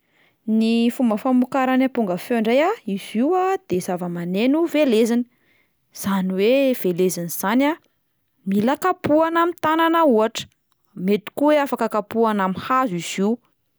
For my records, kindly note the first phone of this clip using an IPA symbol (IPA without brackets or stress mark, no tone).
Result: n